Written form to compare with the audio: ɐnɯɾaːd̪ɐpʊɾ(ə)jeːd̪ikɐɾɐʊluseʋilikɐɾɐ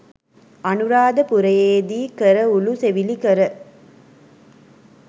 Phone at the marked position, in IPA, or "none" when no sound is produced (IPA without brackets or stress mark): ɐ